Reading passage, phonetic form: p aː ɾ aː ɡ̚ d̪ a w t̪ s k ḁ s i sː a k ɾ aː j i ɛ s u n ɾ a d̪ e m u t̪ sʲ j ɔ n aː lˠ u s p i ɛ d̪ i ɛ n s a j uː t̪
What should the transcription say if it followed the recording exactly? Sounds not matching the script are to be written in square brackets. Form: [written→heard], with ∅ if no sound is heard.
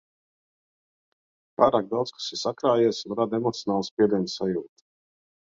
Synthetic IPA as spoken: p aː ɾ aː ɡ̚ d̪ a w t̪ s k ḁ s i [sː→s] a k ɾ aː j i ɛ s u n ɾ a d̪ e m [u→ɔ] t̪ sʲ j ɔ n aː lˠ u s p i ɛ d̪ i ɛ n s a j uː t̪

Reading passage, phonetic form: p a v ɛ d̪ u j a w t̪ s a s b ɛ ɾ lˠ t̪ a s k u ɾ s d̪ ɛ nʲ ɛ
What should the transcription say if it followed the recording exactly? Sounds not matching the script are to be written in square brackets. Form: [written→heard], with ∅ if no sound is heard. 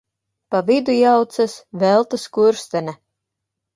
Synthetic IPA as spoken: p a v [ɛ→i] d̪ u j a w t̪ s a s [b→v] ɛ [ɾ→∅] lˠ t̪ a s k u ɾ s [d̪→t̪] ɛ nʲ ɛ

